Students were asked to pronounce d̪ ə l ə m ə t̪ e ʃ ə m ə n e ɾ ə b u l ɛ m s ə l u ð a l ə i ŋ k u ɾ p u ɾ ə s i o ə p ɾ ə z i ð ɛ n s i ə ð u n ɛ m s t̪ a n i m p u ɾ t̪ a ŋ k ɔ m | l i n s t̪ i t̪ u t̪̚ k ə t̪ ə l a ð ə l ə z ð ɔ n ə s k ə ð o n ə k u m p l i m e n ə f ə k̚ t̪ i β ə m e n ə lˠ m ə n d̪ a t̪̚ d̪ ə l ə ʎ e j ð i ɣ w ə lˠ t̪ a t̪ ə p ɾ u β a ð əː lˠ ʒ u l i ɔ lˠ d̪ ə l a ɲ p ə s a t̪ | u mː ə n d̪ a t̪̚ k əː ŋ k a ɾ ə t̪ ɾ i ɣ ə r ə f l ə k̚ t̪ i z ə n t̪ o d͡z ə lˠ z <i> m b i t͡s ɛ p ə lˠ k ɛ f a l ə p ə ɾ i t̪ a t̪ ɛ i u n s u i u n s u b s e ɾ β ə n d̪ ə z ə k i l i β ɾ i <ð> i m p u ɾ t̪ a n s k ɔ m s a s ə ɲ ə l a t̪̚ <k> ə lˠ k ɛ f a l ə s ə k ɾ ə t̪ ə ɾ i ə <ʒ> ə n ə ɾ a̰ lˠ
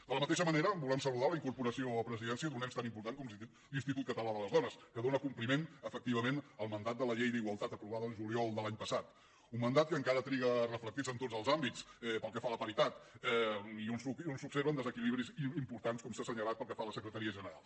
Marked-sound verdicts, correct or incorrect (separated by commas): incorrect, incorrect, incorrect, correct